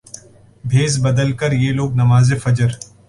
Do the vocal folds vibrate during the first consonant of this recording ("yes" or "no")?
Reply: yes